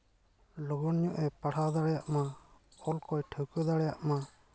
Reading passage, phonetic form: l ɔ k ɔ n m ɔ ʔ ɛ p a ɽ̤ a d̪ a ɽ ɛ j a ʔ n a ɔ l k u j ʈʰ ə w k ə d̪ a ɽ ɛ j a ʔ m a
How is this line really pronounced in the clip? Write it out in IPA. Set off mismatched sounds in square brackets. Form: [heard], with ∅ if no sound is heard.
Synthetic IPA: l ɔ [ɡ] ɔ n [ɲ] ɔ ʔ ɛ p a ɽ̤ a d̪ a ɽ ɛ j a ʔ [m] a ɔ l k [ɔ] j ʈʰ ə w k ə d̪ a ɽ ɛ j a ʔ m a